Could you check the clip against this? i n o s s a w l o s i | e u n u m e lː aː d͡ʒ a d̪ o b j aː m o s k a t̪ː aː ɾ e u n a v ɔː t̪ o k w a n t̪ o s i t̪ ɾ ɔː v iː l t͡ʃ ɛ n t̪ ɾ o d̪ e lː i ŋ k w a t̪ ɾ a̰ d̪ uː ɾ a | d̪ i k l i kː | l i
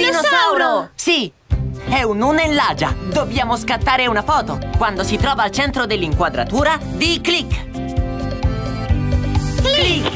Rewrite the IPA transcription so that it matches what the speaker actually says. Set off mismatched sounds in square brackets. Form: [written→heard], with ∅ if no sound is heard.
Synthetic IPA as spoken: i n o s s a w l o s i | [e→ɛ] u n u [m→n] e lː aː d͡ʒ a d̪ o b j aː m o s k a t̪ː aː ɾ e u n a [v→f] ɔː t̪ o k w a n [t̪→d̪] o s i t̪ ɾ ɔː v [iː→aː] l t͡ʃ ɛ n t̪ ɾ o d̪ e lː i ŋ k w a [t̪→d̪] ɾ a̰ [d̪→t̪] uː ɾ a | d̪ i k l i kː | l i

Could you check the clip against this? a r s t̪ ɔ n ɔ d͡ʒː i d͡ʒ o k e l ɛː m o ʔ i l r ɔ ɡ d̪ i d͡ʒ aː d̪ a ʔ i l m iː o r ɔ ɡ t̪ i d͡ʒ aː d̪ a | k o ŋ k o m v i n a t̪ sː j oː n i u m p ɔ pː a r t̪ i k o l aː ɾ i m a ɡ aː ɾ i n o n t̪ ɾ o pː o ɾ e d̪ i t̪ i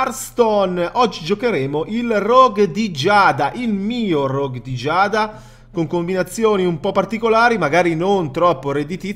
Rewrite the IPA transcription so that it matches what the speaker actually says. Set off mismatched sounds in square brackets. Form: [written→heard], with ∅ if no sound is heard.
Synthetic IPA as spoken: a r s t̪ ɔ n ɔ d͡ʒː i d͡ʒ o k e [l→ɾ] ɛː m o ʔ i l r ɔ ɡ d̪ i d͡ʒ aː d̪ a ʔ i l m iː o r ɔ ɡ [t̪→d̪] i d͡ʒ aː d̪ a | k o ŋ k o m [v→b] i n a t̪ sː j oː n i u m p ɔ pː a r t̪ i k o l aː ɾ i m a ɡ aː ɾ i n o n t̪ ɾ [o→ɔ] pː o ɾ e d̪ i t̪ i

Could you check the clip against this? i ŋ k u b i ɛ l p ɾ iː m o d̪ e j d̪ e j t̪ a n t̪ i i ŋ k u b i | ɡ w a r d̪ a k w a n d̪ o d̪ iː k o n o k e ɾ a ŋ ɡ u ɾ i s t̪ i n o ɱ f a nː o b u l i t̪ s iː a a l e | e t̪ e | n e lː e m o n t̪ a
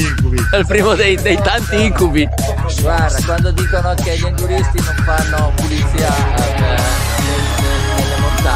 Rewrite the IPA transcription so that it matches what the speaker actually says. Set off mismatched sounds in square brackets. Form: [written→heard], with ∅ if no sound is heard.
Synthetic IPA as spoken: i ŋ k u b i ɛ l p ɾ iː m o d̪ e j d̪ e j t̪ a n t̪ i i ŋ k u b i | ɡ w a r d̪ a k w a n d̪ o d̪ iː k o n o k e [ɾ→ʎ] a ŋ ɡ u ɾ i s t̪ i n o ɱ f a nː o [b→p] u l i t̪ s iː a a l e | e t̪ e | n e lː e m o n t̪ a

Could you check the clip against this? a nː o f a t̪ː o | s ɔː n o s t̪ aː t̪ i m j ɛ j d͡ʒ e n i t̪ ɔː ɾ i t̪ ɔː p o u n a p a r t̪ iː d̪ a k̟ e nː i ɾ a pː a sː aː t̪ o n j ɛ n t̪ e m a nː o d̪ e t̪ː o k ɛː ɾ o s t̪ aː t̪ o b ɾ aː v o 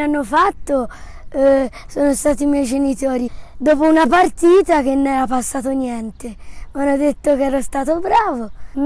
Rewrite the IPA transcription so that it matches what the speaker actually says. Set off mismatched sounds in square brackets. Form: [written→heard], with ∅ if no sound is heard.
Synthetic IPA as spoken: a nː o f a t̪ː o | s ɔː n o s t̪ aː t̪ i m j ɛ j d͡ʒ e n i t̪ ɔː ɾ i [t̪→d̪] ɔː p o u n a p a r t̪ iː [d̪→t̪] a k̟ e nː [i→ɛ] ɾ a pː a sː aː t̪ o n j ɛ n t̪ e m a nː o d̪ e t̪ː o k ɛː ɾ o s t̪ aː t̪ o b ɾ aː v o

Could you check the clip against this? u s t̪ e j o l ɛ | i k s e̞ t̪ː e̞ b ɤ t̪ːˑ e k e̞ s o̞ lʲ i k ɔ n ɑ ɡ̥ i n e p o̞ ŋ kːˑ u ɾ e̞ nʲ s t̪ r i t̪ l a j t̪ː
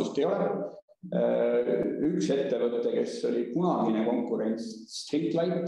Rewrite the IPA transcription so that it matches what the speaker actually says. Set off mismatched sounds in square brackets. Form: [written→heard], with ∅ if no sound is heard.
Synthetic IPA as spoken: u s t̪ e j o l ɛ | [i→y] k s e̞ t̪ː e̞ [b→v] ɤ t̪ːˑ e k e̞ s o̞ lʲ i k [ɔ→u] n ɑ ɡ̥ i n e [p→k] o̞ ŋ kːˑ u ɾ e̞ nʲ s t̪ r i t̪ l [a→ɑ] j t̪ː

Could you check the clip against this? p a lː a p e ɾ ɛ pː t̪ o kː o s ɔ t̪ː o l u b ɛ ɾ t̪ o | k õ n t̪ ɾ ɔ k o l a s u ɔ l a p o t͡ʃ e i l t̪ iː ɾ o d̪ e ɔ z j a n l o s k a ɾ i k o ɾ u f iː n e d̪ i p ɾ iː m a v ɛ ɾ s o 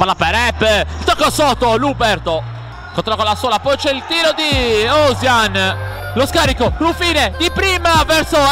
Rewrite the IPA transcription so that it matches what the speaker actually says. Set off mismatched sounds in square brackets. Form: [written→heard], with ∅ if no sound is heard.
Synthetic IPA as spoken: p a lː a p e ɾ ɛ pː t̪ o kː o s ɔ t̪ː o l u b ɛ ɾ t̪ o | k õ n t̪ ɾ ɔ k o l a s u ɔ l a p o t͡ʃ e i l t̪ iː ɾ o d̪ [e→i] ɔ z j a n l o s k a ɾ i k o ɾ u f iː n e d̪ i p ɾ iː m a v ɛ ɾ s o

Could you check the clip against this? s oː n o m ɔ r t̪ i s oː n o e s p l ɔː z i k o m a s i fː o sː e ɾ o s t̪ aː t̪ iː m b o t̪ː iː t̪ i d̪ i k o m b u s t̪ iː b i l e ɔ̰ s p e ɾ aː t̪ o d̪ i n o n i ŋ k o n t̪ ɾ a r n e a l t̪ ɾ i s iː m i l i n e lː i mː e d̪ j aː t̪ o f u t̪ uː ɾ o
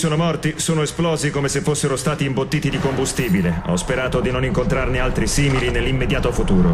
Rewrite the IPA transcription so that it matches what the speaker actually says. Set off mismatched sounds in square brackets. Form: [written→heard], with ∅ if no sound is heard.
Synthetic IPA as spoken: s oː n o m ɔ r t̪ i s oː n o e s p l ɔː z i k o m [a→e] s [i→e] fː o sː e ɾ o s t̪ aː t̪ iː m b o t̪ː iː t̪ i d̪ i k o m b u s t̪ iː b i l e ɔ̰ s p e ɾ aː t̪ o d̪ i n o n i ŋ k o n t̪ ɾ a r n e a l t̪ ɾ i s iː m i l i n e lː i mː e d̪ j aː t̪ o f u t̪ uː ɾ o

